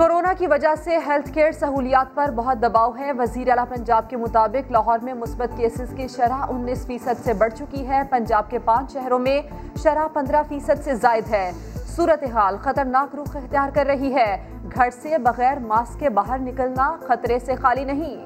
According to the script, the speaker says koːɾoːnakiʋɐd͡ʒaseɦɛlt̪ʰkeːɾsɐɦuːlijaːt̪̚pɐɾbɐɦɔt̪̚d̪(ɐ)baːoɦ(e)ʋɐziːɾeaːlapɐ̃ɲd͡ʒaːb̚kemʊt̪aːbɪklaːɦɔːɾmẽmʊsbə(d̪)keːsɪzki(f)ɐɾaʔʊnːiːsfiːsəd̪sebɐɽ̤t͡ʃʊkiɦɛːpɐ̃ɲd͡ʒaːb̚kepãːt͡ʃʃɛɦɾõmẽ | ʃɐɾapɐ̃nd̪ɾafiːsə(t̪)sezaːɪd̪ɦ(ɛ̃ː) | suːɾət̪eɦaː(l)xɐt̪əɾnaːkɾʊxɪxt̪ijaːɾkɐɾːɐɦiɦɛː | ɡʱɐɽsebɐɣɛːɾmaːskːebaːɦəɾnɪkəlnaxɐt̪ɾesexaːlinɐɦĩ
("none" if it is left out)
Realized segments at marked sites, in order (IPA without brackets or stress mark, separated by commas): ɐ, ɛ, t̪, ʃ, d̪, ɛː, l